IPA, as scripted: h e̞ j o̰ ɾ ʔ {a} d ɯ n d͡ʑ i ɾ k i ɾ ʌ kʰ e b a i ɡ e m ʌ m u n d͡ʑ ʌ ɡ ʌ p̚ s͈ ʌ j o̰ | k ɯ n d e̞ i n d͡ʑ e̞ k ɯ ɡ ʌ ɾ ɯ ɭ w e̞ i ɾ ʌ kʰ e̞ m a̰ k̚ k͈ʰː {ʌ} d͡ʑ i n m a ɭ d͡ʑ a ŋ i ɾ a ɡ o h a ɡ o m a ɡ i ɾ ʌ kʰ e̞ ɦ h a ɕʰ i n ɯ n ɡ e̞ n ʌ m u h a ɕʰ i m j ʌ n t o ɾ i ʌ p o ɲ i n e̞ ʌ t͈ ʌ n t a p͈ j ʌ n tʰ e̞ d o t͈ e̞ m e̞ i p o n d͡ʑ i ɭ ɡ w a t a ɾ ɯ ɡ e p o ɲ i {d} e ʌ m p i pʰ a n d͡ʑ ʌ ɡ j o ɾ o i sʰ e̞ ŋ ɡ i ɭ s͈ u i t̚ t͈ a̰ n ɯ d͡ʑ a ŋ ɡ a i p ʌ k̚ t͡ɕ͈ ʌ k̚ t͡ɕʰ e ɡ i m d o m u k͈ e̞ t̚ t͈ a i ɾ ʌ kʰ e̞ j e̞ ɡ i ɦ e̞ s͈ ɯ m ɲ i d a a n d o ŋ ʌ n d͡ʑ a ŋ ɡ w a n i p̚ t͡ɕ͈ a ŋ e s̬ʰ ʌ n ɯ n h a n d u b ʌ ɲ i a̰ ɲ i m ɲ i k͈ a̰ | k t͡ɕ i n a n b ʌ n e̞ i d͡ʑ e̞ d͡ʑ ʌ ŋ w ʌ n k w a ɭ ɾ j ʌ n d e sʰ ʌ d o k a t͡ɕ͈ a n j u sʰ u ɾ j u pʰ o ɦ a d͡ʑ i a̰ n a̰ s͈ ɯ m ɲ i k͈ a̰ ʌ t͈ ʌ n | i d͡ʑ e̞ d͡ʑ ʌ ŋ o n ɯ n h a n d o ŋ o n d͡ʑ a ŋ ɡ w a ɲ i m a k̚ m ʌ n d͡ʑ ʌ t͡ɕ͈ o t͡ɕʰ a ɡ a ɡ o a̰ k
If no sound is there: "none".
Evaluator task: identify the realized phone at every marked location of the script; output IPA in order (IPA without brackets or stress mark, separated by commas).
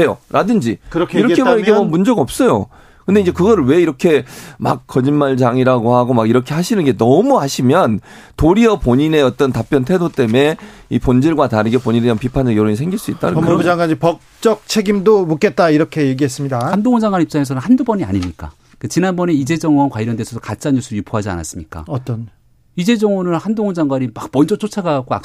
a, ʌ, n